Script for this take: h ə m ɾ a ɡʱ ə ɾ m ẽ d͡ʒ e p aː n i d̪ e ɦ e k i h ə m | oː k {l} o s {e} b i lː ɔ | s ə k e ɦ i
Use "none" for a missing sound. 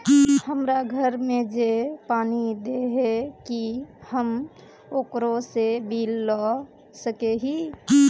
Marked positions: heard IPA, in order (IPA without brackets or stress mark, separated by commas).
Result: ɾ, e